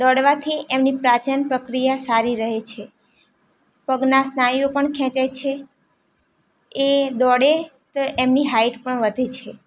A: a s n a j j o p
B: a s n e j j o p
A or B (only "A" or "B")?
A